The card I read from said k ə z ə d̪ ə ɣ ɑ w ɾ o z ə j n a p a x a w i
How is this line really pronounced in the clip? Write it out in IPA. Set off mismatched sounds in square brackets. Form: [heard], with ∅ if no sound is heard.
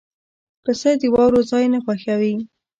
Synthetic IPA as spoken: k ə [s] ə d̪ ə [w] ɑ w ɾ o z [ɑ] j n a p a x a w i